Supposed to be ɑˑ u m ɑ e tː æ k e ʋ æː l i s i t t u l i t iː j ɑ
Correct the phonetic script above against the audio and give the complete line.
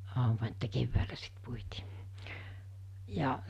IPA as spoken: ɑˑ u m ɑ e tː æ k e ʋː æː l æ s i t p u i t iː j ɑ